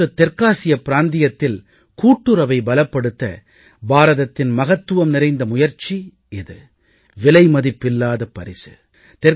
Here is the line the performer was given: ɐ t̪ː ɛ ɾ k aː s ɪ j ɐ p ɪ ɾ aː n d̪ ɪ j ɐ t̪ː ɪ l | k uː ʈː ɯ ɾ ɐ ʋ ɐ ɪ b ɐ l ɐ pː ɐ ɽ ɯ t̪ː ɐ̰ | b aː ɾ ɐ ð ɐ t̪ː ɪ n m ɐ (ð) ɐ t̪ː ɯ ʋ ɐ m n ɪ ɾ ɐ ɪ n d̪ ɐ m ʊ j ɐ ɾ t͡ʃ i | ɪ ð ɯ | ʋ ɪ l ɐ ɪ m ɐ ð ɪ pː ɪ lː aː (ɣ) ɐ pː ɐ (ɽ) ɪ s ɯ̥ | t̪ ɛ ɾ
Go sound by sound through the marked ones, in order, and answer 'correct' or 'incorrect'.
incorrect, incorrect, incorrect

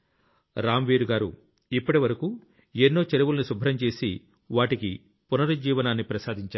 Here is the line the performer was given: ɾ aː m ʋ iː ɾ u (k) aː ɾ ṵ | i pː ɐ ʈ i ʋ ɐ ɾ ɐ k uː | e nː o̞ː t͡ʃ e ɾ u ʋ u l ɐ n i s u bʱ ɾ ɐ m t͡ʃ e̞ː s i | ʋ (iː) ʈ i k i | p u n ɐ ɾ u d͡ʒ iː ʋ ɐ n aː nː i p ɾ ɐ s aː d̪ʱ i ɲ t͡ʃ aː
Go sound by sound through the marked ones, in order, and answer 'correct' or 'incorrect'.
incorrect, incorrect

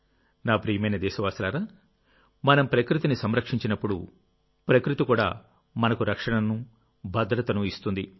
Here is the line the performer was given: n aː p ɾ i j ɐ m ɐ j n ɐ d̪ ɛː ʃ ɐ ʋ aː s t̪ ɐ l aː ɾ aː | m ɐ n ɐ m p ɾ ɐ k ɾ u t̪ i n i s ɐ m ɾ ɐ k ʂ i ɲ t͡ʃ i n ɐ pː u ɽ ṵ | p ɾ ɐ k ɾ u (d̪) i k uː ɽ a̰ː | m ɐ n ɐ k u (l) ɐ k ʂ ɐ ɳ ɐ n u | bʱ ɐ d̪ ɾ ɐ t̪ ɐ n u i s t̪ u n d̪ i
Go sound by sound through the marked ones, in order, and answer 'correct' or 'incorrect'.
incorrect, incorrect

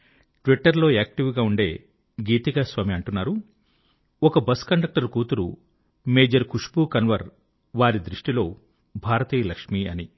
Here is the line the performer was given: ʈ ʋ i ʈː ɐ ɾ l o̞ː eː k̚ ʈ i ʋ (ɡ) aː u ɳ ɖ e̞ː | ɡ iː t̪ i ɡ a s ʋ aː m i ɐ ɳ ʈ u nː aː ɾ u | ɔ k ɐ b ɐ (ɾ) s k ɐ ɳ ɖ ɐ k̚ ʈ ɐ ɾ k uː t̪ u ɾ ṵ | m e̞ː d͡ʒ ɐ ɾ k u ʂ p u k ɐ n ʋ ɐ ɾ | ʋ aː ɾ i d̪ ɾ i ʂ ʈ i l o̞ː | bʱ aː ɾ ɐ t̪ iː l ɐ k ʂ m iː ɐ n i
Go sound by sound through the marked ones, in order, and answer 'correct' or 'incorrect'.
correct, incorrect

